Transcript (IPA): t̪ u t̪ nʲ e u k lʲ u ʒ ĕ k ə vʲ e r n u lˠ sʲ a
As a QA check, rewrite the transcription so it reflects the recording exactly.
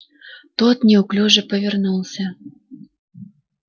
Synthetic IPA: t̪ o t̪ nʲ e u k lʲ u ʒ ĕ p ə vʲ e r n u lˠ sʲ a

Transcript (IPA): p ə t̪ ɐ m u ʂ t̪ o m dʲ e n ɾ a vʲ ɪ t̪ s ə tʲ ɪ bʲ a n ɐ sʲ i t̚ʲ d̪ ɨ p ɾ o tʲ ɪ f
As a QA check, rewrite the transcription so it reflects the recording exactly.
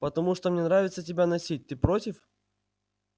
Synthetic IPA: p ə t̪ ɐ m u ʂ t̪ o m nʲ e n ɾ a vʲ ɪ t̪ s ə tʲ ɪ bʲ a n ɐ sʲ i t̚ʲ t̪ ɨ p ɾ o tʲ ɪ f

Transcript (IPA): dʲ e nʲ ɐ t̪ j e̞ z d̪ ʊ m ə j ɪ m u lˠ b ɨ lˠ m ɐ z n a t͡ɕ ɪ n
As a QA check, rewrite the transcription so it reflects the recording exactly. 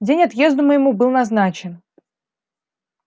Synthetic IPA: dʲ e nʲ ɐ t̪ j e̞ z d̪ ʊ m ə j ɪ m u b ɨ lˠ n ɐ z n a t͡ɕ ɪ n

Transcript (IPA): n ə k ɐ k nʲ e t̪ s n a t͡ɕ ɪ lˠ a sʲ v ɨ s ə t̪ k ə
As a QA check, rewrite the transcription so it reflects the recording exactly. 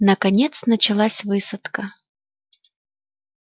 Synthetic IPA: n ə k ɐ nʲ e t̪ s n ə t͡ɕ ɪ lˠ a sʲ v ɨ s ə t̪ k ə

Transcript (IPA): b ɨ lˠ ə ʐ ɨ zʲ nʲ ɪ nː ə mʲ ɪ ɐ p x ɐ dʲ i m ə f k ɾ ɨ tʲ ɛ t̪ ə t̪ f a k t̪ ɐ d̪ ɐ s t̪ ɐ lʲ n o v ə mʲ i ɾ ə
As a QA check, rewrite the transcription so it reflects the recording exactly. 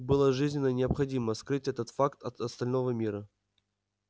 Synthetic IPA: b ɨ lˠ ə ʐ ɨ zʲ nʲ ɪ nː ə nʲ ɪ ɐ p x ɐ dʲ i m ə s k ɾ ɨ tʲ ɛ t̪ ə t̪ f a k t̪ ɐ t̪ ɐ s t̪ ɐ lʲ n o v ə mʲ i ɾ ə

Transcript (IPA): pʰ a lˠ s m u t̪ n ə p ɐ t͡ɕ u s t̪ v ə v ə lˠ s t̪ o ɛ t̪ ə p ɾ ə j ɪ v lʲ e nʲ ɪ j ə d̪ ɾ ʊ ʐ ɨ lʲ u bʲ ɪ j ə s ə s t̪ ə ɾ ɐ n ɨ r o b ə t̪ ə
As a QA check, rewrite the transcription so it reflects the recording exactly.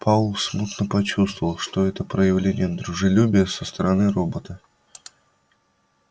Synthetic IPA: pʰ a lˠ s m u t̪ n ə p ɐ t͡ɕ u s t̪ v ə v ə lˠ ʂ t̪ o ɛ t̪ ə p ɾ ə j ɪ v lʲ e nʲ ɪ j ə d̪ ɾ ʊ ʐ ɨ lʲ u bʲ ɪ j ə s ə s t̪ ə ɾ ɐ n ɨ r o b ə t̪ ə

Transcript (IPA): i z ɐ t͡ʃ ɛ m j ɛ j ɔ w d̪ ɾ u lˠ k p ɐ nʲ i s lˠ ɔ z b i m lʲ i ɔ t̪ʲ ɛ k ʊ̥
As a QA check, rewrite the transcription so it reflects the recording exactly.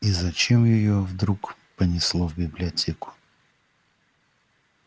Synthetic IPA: i z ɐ t͡ʃ ɛ m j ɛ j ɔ v d̪ ɾ u k p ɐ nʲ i s lˠ ɔ v b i b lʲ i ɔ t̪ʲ ɛ k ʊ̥

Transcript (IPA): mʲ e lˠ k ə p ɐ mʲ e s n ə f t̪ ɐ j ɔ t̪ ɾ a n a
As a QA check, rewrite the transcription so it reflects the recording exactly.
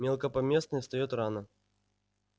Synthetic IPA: mʲ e lˠ k ə p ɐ mʲ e s n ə s t̪ ɐ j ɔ t̪ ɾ a n ə

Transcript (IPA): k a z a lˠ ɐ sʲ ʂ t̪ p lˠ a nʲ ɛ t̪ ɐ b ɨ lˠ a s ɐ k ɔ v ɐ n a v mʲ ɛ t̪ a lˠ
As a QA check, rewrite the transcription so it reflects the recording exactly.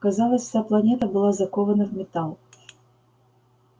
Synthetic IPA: k a z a lˠ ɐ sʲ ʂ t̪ p lˠ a nʲ ɛ t̪ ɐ b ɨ lˠ a z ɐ k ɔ v ɐ n ɐ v mʲ ɛ t̪ a lˠ

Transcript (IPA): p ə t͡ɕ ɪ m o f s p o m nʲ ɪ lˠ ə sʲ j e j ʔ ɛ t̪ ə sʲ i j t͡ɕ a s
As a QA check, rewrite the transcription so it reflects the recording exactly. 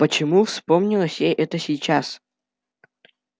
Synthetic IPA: p ə t͡ɕ ɪ m u f s p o m nʲ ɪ lˠ ə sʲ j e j ʔ ɛ t̪ ə sʲ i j t͡ɕ a s

